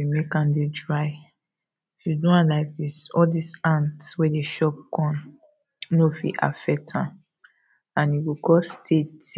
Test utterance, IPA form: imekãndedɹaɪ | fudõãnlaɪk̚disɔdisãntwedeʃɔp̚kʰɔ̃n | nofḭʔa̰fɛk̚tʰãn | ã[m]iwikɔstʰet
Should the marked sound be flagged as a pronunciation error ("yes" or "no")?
yes